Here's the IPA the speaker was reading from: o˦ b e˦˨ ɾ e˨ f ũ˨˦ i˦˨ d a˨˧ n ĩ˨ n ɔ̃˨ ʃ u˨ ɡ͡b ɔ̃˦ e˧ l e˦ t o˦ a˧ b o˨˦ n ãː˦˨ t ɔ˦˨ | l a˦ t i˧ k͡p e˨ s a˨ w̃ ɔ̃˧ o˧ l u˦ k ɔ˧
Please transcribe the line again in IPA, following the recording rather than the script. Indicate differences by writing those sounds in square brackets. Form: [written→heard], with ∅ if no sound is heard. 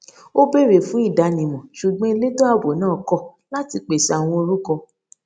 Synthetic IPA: o˦ b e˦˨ ɾ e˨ f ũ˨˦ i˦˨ d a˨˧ n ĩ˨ [n→m] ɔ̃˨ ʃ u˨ ɡ͡b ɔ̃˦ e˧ l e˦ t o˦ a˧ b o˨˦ n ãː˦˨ [t→k] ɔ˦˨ | l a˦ t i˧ k͡p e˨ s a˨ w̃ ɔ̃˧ o˧ [l→ɾ] u˦ k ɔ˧